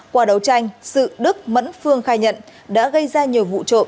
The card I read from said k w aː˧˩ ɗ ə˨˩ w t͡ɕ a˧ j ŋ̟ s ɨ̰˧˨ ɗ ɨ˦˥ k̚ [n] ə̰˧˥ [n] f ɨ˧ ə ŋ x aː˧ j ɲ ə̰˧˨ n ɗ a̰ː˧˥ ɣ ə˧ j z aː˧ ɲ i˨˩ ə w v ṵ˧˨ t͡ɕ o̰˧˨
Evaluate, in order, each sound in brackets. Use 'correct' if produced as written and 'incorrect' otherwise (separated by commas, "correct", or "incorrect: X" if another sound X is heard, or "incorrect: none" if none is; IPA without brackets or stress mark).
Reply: incorrect: m, correct